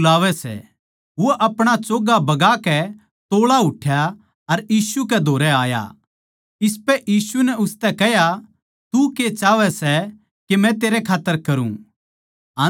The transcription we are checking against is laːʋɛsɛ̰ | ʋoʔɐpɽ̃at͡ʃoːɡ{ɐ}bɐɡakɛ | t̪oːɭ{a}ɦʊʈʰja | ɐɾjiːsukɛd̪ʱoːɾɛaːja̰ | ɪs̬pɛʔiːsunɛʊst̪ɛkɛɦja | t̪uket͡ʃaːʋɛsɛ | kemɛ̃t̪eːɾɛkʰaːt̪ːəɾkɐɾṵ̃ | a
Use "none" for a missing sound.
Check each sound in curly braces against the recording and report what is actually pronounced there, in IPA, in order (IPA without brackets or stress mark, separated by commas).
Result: a, a